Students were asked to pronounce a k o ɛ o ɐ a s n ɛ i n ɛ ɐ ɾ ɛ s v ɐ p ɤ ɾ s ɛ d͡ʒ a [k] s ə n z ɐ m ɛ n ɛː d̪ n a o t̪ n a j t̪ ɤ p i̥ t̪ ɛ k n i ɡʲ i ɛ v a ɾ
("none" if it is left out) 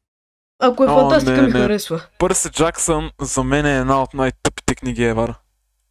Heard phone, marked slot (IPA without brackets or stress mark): k